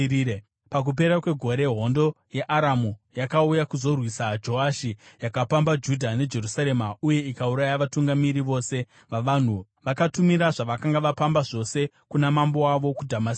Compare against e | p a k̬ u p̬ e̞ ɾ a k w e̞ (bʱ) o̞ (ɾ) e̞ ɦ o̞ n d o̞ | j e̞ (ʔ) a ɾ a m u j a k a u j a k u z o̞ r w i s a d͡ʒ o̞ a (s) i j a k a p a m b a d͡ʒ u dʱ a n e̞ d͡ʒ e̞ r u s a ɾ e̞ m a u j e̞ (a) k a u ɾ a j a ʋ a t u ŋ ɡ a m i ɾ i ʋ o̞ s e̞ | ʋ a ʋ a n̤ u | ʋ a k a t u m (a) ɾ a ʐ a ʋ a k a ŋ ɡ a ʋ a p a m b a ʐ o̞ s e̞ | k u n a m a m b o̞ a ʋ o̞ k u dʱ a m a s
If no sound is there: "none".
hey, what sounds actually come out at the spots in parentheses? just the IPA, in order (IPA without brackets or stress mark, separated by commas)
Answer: ɡʱ, ɾ, ʔ, ʃ, i, i